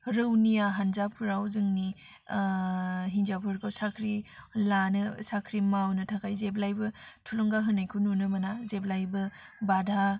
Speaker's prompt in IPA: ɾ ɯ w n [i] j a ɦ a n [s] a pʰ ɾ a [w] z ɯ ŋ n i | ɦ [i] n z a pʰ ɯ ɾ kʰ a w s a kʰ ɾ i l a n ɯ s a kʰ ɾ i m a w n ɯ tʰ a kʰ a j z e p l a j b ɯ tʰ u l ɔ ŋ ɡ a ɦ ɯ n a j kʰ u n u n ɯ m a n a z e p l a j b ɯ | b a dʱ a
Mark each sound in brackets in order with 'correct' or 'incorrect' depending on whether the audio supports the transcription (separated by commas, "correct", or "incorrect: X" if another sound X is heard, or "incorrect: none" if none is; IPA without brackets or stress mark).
correct, incorrect: z, correct, correct